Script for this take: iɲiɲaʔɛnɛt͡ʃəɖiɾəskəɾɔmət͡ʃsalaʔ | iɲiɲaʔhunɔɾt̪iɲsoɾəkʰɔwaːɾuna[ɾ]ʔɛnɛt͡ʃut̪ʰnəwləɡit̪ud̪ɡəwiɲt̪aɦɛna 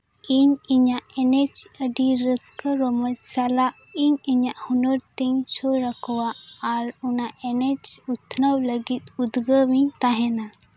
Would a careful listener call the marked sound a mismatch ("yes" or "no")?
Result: yes